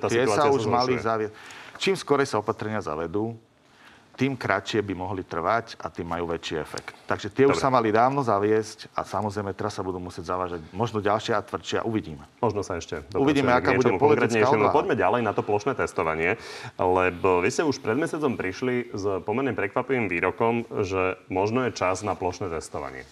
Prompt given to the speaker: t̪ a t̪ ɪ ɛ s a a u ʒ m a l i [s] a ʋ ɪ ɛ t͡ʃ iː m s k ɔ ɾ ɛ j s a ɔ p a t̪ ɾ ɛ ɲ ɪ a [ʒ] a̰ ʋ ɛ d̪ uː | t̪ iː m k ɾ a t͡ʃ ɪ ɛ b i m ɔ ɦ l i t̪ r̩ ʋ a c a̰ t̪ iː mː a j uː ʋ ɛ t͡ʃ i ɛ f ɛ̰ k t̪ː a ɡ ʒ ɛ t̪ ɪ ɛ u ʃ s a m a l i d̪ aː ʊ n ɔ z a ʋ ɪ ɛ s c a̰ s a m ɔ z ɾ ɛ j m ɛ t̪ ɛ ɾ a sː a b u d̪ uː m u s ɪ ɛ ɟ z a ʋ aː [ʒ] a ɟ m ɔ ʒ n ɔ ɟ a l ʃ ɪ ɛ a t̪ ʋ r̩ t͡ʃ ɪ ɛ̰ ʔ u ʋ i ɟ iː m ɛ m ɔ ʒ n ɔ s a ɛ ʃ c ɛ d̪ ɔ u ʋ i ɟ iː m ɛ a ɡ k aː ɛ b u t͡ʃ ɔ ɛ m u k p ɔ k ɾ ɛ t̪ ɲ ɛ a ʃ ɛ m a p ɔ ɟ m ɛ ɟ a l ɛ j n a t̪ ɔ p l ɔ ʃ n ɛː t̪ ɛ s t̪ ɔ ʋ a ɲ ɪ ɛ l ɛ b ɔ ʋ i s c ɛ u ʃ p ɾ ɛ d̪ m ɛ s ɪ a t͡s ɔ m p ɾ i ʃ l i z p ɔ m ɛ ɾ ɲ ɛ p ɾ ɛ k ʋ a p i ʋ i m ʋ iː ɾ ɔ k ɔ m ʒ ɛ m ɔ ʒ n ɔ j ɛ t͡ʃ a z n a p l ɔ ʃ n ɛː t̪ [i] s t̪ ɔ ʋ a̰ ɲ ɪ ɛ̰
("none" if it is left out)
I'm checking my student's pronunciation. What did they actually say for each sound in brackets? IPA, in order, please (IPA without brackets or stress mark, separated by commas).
z, z, ʒ, ɛ